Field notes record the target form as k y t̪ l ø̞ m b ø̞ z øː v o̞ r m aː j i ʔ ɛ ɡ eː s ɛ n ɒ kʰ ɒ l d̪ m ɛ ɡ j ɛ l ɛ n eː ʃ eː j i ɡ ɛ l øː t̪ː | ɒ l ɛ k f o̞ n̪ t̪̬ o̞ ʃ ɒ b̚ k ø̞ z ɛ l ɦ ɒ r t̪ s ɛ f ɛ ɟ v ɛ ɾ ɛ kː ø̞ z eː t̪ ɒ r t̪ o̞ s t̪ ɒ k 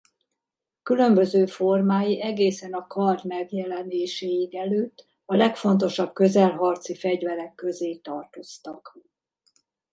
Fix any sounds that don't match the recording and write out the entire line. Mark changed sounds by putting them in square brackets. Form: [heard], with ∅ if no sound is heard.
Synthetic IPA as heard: k y [∅] l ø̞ m b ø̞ z øː [f] o̞ r m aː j i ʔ ɛ ɡ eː s ɛ n ɒ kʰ ɒ [r] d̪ m ɛ ɡ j ɛ l ɛ n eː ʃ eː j i ɡ ɛ l øː t̪ː | ɒ l ɛ k f o̞ n̪ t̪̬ o̞ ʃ ɒ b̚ k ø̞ z ɛ l ɦ ɒ r t̪ s [i] f ɛ ɟ v ɛ ɾ ɛ kː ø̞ z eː t̪ ɒ r t̪ o̞ s t̪ ɒ k